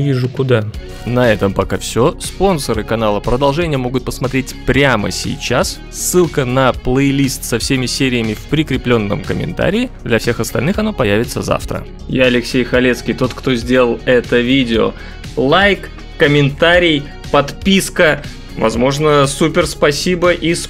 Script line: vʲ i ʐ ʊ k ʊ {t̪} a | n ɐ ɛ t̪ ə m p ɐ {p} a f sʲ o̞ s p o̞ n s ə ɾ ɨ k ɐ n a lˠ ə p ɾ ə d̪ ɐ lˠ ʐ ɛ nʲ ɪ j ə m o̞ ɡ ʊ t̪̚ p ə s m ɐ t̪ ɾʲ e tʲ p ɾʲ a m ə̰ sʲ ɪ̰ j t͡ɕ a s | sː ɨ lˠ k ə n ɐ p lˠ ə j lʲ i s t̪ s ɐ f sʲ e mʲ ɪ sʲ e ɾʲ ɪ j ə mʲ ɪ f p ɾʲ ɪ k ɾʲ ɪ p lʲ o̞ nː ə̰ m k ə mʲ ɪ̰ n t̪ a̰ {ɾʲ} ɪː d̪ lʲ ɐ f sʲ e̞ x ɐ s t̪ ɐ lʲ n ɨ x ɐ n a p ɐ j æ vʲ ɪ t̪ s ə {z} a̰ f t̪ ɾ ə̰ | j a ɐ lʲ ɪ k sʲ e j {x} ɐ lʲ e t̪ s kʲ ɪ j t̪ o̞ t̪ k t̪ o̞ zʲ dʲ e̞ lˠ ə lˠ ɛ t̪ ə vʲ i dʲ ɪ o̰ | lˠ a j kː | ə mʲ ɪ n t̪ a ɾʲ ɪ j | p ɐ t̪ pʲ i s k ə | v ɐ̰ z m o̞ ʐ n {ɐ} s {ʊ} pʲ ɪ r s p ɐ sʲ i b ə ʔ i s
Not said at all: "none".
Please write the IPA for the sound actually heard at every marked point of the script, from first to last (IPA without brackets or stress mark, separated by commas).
d̪, k, ɾʲ, z, x, ə, u